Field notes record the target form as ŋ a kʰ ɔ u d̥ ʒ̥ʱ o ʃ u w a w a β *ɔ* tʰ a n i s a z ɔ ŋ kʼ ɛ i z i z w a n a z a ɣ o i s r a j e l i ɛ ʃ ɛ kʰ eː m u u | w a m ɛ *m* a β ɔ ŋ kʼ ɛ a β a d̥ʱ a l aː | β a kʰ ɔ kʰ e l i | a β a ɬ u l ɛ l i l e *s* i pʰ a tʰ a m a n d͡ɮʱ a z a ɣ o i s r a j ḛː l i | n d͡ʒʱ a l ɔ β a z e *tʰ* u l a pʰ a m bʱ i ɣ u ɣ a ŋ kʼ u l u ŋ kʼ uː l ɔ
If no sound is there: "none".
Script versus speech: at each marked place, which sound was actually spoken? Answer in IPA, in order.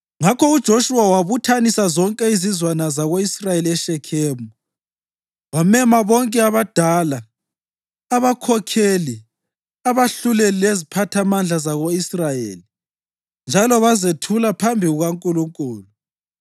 u, m, z, tʰ

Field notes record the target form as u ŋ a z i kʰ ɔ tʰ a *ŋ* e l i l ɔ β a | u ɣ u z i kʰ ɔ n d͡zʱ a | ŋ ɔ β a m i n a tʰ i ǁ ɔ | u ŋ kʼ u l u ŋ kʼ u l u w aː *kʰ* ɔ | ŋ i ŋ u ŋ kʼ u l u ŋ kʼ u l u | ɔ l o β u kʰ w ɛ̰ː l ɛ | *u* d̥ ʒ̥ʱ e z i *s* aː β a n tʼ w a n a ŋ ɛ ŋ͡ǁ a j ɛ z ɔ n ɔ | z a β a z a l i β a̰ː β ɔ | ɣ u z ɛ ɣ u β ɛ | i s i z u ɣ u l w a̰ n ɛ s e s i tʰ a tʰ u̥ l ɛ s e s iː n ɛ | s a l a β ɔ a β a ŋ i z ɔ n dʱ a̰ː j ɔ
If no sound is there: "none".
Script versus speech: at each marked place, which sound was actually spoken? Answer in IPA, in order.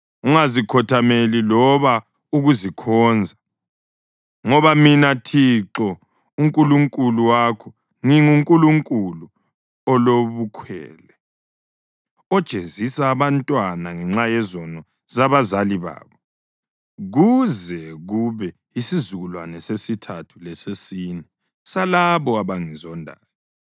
m, kʰ, ɔ, s

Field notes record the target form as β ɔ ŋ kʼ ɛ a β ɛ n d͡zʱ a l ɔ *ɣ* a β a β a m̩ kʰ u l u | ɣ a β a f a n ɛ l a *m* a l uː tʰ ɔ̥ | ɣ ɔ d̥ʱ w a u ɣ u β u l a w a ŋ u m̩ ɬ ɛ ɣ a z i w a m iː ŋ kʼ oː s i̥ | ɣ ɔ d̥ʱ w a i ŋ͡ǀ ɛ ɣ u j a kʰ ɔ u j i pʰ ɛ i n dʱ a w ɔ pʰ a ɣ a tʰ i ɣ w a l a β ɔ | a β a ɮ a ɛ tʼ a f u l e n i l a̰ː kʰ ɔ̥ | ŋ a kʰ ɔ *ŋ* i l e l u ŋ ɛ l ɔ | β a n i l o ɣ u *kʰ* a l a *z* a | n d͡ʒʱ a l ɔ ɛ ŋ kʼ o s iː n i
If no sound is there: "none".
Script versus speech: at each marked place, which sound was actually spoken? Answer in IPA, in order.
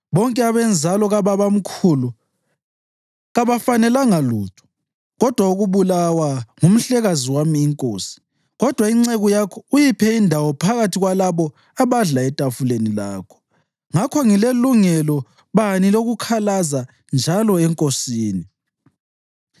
ɣ, ŋ, ŋ, kʰ, z

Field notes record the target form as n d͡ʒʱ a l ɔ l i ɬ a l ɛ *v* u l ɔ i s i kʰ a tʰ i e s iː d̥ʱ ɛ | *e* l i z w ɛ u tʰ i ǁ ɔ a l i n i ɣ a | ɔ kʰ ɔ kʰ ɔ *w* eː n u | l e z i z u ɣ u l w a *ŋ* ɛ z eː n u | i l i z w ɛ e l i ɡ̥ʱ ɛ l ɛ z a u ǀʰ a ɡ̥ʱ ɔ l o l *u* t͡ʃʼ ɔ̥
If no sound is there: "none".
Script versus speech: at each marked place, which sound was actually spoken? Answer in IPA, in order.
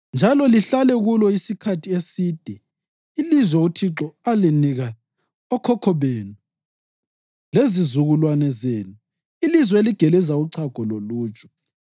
ɣ, i, β, n, uː

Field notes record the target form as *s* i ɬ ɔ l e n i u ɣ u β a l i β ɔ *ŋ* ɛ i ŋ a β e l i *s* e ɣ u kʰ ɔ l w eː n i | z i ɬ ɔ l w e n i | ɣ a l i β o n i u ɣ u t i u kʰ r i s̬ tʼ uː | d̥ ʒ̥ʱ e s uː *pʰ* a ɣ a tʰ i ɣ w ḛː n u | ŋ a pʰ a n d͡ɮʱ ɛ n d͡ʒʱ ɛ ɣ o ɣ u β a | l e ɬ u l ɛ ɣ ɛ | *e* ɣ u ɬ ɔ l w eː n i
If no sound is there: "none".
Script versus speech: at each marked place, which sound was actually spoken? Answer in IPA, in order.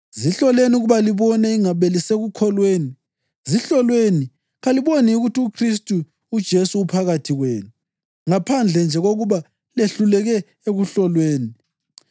z, n, s, pʰ, e

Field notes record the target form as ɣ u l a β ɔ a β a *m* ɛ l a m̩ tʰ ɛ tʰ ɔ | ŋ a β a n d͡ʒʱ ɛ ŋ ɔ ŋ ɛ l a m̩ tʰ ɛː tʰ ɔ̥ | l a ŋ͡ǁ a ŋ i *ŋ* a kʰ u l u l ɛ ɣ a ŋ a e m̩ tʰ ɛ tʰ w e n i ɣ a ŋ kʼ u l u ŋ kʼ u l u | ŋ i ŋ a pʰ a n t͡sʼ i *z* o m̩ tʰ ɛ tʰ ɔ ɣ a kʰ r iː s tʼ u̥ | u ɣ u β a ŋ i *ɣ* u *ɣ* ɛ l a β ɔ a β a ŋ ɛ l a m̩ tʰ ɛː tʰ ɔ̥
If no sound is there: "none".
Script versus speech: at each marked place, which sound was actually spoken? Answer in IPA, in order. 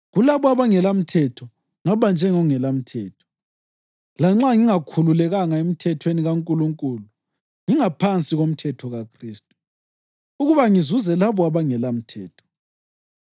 ŋ, ŋ, ɣ, z, z

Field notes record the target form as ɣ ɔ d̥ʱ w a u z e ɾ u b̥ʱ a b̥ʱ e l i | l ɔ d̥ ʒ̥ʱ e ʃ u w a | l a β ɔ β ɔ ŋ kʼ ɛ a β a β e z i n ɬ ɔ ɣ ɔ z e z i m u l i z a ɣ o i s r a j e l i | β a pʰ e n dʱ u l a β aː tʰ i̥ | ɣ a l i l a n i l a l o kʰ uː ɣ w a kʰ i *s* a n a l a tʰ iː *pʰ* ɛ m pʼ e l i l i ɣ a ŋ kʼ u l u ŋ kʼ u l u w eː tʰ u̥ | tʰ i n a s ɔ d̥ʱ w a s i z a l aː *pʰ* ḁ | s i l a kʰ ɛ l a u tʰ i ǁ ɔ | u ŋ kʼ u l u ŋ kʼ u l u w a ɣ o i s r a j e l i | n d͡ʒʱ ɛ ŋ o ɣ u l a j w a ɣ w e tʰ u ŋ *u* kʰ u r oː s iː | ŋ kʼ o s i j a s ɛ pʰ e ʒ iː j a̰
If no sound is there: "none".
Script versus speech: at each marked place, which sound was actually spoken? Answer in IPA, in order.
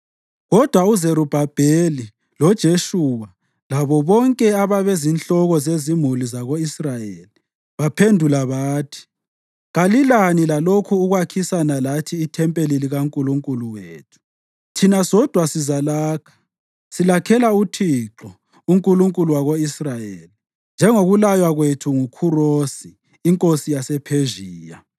s, tʰ, kʰ, u

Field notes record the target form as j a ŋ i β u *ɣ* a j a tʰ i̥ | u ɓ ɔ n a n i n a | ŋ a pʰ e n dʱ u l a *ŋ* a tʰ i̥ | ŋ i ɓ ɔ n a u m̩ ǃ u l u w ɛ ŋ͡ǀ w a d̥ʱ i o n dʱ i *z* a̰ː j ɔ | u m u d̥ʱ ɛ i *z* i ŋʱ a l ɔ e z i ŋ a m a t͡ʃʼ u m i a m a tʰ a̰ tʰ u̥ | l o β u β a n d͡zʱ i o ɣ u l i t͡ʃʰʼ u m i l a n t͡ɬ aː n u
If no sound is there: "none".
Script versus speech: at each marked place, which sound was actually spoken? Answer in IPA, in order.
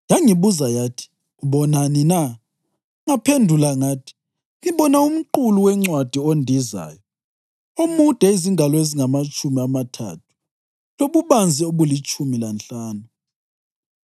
z, ŋ, z, z

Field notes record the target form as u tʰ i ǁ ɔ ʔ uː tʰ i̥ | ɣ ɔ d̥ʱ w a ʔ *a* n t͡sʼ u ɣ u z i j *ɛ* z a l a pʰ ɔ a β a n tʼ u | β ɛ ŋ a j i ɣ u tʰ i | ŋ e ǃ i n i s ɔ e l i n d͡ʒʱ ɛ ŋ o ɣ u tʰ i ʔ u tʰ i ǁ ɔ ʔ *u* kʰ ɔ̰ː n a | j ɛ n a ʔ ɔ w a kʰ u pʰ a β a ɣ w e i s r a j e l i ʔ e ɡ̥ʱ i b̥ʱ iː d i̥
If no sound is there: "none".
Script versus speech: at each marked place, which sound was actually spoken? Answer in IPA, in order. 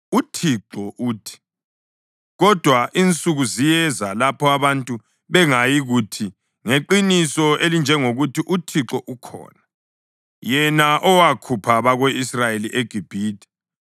i, ɛ, u

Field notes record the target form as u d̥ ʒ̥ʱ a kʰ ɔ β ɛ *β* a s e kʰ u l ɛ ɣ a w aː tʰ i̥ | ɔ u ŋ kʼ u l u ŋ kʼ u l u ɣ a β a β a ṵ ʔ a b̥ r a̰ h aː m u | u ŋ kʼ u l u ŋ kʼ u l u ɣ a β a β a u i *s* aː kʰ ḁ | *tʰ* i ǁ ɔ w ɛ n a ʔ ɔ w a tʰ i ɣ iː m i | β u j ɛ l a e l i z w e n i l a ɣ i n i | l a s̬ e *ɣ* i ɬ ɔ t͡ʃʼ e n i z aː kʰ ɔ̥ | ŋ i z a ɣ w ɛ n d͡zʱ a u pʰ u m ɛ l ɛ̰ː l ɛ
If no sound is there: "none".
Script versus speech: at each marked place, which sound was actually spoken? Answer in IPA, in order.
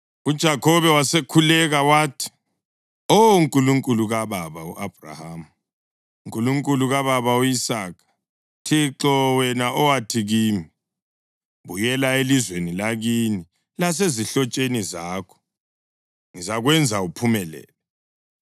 w, s, tʰ, z

